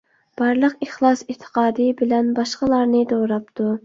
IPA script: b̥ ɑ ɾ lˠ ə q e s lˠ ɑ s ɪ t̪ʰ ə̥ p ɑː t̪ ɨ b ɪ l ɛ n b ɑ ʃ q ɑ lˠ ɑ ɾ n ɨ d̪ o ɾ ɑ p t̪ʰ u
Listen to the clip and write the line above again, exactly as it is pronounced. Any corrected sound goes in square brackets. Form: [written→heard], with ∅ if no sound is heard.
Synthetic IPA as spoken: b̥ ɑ ɾ lˠ ə q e [s→χ] lˠ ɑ s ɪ t̪ʰ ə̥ [p→q] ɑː [t̪→d̪] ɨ b ɪ l ɛ n b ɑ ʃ q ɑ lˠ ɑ ɾ n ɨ d̪ o ɾ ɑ p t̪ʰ u